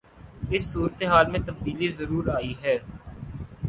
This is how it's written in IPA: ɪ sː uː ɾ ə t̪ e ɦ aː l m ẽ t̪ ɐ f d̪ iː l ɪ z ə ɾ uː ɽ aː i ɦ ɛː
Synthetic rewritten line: ɪ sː uː ɾ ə t̪ e ɦ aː l m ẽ t̪ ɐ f d̪ iː l i z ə ɾ uː ɾ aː i ɦ ɛː

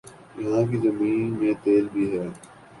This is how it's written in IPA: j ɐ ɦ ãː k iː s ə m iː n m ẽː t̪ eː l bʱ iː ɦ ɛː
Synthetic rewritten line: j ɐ ɦ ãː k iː z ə m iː n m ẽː t̪ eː l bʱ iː ɦ ɛː

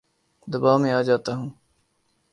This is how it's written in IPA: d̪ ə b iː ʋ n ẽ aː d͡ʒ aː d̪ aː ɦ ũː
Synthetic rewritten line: d̪ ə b aː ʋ m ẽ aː d͡ʒ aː t̪ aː ɦ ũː

